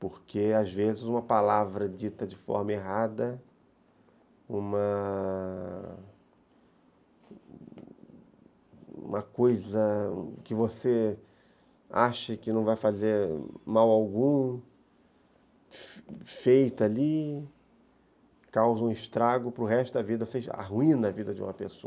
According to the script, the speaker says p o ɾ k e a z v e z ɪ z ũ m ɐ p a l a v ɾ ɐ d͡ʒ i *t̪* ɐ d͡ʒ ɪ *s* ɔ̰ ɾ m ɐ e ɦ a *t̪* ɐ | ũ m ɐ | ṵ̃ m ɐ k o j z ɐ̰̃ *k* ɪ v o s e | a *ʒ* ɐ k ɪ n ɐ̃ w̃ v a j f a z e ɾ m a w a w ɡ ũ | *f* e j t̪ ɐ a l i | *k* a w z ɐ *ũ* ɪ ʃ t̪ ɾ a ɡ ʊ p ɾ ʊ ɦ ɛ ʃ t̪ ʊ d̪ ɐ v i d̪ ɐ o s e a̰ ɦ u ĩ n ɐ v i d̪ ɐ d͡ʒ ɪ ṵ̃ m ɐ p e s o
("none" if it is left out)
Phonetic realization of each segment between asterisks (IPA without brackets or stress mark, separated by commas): t̪, f, d̪, k, ʃ, f, k, ũ